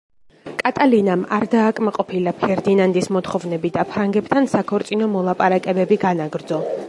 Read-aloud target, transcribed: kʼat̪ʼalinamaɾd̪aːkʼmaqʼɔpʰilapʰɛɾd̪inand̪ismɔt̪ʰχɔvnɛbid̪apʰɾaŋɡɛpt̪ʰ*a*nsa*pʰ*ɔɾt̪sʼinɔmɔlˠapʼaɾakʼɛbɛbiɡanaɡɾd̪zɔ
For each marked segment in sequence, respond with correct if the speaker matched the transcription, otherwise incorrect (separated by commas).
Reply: correct, incorrect